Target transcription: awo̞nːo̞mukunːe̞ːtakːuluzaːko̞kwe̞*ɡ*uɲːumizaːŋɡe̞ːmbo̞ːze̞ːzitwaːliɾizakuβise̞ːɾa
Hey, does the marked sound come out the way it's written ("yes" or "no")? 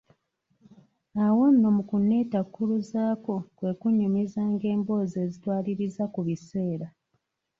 no